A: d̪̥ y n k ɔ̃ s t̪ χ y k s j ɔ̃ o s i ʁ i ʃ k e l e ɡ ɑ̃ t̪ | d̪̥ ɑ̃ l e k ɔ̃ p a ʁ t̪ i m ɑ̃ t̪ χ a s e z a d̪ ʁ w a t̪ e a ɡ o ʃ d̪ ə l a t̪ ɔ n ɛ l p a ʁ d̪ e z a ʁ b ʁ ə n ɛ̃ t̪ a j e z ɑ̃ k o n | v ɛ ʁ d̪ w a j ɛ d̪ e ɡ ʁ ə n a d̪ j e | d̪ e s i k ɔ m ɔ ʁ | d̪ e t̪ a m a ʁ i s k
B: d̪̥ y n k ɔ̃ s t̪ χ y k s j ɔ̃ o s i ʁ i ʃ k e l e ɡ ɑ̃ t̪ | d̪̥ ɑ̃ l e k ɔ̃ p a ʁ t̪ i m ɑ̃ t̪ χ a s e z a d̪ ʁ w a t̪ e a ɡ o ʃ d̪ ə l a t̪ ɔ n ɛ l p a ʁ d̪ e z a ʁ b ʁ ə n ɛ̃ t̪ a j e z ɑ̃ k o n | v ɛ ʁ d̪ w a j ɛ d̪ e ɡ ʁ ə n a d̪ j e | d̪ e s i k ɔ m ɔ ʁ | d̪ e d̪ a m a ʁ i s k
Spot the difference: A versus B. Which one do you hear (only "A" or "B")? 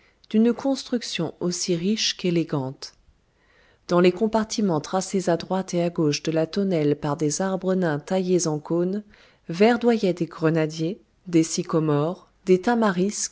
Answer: A